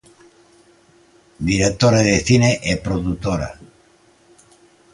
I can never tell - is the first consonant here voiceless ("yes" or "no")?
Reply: no